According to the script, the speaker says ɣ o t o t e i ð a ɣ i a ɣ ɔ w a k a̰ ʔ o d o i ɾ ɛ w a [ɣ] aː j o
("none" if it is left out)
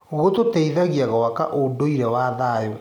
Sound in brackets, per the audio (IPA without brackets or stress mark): ð